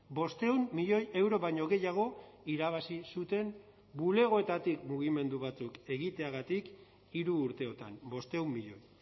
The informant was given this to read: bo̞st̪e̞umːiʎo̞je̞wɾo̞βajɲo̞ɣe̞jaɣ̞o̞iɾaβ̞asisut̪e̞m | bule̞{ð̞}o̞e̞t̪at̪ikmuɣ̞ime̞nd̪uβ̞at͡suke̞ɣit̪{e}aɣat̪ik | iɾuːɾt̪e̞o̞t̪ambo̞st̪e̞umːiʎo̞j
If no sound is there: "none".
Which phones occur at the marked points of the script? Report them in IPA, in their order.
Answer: ɣ̞, e

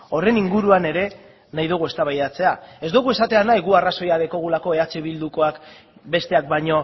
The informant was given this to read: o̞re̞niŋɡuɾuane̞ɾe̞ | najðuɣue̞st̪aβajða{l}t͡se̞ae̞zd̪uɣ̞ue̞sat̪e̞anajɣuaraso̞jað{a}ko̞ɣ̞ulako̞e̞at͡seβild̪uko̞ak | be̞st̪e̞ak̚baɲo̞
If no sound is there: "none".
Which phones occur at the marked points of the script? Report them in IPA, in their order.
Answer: none, e

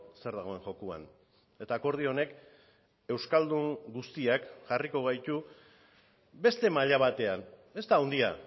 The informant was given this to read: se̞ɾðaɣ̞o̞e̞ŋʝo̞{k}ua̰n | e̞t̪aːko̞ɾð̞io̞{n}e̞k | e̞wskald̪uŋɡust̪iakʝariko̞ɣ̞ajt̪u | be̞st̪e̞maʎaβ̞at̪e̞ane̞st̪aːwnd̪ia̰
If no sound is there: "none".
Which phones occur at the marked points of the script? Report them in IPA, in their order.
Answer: k, n

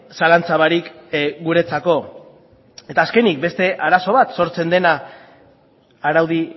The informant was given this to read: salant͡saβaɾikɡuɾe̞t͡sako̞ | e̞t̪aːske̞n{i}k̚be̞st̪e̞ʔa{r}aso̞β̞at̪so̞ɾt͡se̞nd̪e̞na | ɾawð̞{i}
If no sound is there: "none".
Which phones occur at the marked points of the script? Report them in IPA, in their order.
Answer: i, ɾ, i

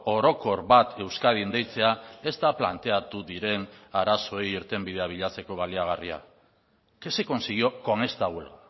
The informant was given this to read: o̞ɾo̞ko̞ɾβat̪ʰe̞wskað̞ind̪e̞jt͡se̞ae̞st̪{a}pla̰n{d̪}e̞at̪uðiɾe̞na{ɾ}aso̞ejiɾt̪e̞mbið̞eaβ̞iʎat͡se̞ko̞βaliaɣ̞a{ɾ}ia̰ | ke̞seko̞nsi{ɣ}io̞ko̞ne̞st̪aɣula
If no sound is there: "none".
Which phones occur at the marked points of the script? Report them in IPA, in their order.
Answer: a, t̪, ɾ, r, ɣ

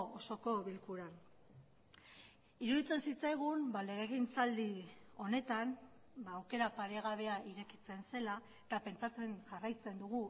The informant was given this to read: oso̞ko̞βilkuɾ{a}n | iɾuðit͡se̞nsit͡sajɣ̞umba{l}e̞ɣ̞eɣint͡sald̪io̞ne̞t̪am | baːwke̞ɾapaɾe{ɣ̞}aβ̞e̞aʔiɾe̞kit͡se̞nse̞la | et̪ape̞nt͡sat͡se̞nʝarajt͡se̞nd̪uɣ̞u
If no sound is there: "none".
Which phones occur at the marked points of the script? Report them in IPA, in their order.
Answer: a, l, ɣ̞

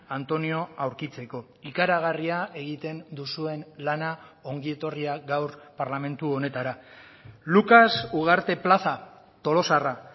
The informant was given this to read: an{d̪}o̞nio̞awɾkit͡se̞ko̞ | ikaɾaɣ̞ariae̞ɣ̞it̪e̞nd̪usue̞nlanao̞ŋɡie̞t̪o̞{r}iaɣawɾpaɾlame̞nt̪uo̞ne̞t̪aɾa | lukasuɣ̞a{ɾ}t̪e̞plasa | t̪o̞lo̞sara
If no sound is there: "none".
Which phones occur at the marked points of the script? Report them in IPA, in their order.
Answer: t̪, r, ɾ

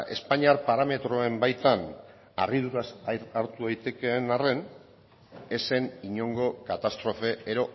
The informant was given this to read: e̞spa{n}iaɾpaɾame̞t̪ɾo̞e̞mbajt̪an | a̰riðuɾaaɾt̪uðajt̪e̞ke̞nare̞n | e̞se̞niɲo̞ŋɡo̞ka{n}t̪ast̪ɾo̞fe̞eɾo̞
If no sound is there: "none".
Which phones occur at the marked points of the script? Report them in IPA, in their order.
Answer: ɲ, none

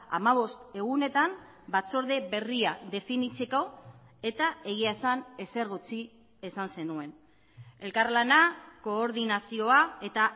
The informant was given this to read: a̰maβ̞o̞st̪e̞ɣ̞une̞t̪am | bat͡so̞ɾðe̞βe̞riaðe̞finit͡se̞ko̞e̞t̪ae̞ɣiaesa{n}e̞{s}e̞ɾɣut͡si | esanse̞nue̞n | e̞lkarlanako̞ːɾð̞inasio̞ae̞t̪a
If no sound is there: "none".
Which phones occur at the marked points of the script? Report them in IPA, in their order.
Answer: n, s

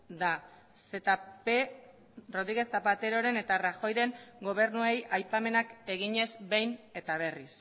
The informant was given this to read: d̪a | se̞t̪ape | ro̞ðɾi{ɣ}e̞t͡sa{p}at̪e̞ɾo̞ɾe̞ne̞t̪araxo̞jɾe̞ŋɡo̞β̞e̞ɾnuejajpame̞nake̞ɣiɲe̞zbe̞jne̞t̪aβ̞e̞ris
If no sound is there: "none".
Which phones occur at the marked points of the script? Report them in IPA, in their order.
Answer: ɣ, p

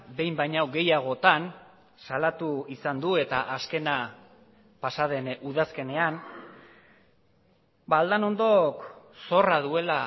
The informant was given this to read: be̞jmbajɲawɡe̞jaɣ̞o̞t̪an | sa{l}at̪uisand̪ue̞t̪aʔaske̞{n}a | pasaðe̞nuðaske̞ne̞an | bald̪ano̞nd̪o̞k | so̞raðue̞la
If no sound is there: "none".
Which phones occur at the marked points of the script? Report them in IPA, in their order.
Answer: l, n

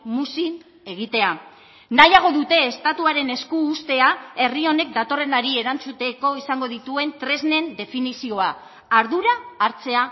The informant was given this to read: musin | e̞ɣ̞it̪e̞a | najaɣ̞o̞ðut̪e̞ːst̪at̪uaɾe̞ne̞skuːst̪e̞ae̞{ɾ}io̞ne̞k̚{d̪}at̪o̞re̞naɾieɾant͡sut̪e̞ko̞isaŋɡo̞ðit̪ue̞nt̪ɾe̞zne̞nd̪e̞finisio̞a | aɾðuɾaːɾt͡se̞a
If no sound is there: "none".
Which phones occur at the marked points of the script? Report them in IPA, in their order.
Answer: r, d̪

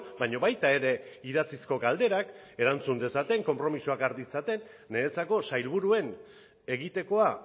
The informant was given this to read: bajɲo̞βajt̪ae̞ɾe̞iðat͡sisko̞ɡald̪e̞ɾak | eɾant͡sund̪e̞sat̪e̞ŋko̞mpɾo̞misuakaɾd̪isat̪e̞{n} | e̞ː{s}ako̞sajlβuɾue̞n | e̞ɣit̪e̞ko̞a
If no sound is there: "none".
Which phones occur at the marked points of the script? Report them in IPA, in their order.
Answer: nː, t͡s

